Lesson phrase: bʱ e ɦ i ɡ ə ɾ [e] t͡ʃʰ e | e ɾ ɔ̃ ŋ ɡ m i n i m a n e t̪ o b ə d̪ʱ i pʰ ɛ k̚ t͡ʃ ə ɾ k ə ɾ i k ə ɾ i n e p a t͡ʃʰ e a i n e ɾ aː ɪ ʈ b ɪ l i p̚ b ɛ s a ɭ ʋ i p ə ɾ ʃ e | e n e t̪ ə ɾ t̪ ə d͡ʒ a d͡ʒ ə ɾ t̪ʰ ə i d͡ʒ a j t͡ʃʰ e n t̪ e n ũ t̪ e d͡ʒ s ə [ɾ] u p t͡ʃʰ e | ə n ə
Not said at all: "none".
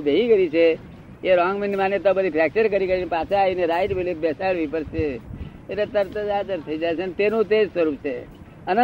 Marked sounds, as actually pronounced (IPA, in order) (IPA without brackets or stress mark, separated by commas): i, ɾ